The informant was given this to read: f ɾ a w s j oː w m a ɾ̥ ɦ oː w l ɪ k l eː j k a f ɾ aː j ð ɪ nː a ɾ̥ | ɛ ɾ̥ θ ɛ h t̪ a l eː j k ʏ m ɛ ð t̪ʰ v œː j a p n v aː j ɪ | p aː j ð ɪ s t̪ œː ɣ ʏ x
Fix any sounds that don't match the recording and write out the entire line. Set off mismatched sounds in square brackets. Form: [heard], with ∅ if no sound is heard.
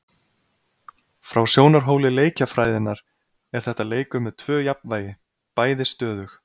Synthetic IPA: f ɾ a w s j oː w [n] a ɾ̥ ɦ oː w l ɪ [∅] l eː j [c] a f ɾ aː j ð ɪ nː a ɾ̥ | ɛ ɾ̥ θ ɛ h t̪ a l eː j k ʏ m ɛ ð t̪ʰ v œː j a p n v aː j ɪ | p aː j ð ɪ s t̪ œː [ð] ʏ x